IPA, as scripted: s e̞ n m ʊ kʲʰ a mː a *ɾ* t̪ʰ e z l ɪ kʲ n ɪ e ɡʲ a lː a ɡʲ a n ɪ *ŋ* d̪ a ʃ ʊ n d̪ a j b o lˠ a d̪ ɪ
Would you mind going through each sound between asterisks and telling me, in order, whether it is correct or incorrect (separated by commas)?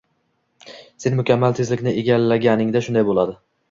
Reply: incorrect, correct